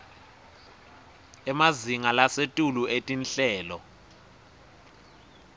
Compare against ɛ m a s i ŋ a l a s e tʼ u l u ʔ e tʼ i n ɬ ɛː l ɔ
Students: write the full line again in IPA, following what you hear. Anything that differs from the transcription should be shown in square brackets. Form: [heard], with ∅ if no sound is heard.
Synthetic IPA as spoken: ɛ m a [z] i ŋ a l a s e tʼ u l u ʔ e tʼ i n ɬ ɛː l ɔ